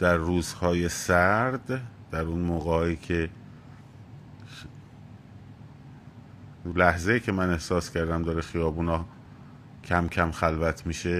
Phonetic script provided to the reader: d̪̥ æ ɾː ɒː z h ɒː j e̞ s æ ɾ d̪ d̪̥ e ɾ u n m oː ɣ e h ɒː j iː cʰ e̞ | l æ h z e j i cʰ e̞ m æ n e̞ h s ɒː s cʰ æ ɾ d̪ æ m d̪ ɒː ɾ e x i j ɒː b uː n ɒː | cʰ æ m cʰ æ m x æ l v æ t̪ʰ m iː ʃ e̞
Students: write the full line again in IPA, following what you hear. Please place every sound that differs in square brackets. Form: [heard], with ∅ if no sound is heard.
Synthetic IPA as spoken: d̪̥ æ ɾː [uː] z h ɒː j e̞ s æ ɾ d̪ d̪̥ [æ] ɾ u n m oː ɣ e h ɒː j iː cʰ e̞ | l æ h z e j [iː] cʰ e̞ m æ n e̞ h s ɒː s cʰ æ ɾ d̪ æ m d̪ ɒː ɾ e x i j ɒː b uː n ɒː | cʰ æ m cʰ æ m x æ l v æ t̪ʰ m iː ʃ e̞